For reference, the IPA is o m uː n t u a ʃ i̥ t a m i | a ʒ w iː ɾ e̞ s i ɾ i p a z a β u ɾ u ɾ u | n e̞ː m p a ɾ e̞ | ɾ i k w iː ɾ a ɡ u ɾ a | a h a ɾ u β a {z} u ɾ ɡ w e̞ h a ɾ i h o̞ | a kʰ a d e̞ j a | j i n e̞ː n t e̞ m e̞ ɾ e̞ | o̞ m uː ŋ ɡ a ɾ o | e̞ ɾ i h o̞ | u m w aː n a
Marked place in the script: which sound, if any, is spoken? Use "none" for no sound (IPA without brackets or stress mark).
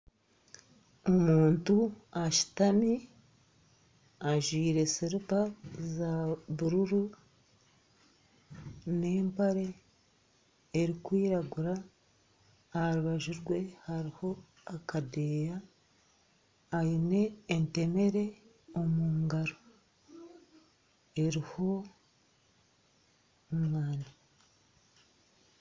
ʒ